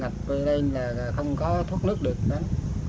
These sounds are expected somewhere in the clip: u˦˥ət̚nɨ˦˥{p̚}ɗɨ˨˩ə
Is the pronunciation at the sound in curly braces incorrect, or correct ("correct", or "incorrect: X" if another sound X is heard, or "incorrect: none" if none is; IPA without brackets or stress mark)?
incorrect: k̚